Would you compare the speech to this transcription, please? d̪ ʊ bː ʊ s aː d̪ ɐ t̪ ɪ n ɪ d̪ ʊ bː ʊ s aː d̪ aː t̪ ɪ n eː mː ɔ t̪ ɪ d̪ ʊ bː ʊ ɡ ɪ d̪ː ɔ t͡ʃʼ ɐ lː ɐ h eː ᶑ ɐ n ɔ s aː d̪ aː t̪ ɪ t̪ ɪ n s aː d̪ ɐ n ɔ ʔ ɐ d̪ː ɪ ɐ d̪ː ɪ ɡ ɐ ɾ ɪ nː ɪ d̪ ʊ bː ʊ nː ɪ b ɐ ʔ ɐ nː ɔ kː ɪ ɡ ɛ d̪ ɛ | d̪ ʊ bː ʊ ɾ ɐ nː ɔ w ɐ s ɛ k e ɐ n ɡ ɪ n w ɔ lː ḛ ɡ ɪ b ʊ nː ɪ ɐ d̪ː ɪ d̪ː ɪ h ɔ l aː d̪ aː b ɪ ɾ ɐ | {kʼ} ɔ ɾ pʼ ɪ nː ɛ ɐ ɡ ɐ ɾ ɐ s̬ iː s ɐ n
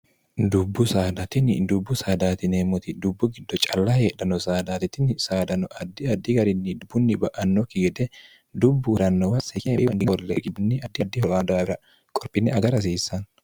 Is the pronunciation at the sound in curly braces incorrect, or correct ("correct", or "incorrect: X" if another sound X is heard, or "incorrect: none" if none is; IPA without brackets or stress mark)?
correct